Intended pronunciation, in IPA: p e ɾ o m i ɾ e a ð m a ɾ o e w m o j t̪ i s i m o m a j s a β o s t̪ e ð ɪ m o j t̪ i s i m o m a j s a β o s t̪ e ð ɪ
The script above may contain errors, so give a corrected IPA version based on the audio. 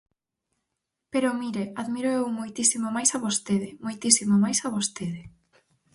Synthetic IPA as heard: p e ɾ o m i ɾ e a ð m i ɾ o e w m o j t̪ i s i m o m a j s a β o s t̪ e ð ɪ m o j t̪ i s i m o m a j s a β o s t̪ e ð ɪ